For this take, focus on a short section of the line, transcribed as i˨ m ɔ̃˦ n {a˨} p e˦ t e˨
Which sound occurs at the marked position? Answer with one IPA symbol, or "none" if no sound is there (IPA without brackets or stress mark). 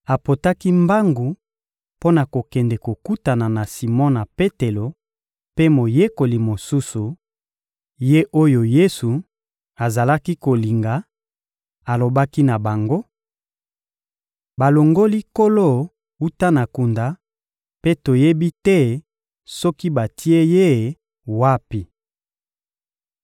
a˨